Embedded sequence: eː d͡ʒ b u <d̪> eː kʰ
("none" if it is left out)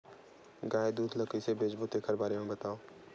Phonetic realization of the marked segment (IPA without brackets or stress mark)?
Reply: t̪